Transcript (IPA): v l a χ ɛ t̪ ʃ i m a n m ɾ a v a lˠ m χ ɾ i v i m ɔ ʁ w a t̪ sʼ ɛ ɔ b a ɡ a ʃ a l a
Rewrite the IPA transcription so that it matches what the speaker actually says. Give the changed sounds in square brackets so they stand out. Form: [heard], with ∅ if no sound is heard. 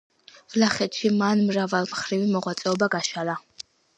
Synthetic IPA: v l a χ ɛ t̪ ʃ i m a n m ɾ a v a lˠ m χ ɾ i v i m ɔ ʁ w a t̪ sʼ ɛ ɔ b a ɡ a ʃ a l a